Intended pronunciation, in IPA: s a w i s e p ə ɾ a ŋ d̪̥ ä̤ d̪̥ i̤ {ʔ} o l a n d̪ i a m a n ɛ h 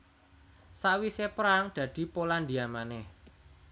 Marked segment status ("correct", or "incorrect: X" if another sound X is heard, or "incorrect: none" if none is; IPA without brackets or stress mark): incorrect: p